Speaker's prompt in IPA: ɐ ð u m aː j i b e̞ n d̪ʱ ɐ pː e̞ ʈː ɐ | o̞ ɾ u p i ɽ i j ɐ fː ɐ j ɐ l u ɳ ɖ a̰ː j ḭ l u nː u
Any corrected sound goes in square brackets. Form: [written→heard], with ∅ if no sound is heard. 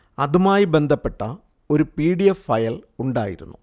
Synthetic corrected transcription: ɐ ð u m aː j i b e̞ n d̪ʱ ɐ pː e̞ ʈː ɐ | o̞ ɾ u p [i→iː] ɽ i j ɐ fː ɐ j ɐ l u ɳ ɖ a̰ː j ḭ [l→ɾ] u nː u